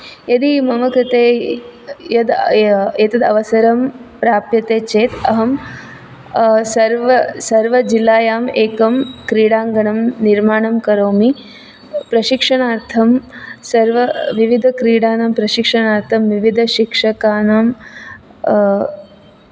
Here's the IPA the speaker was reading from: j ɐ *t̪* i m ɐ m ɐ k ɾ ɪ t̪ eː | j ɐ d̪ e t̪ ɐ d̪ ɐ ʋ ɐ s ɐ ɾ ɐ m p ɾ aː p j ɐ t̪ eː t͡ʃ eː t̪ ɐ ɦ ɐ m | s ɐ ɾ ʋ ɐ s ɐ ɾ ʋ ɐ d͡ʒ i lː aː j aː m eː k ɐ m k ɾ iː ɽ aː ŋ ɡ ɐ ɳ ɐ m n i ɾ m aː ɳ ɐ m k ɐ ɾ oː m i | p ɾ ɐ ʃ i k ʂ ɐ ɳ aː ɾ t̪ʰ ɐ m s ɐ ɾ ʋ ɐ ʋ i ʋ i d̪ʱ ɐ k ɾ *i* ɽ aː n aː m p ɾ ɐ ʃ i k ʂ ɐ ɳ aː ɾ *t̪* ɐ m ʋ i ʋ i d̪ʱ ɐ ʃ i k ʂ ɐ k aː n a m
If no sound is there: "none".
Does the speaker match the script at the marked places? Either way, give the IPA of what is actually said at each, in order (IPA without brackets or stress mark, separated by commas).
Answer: d̪, iː, t̪ʰ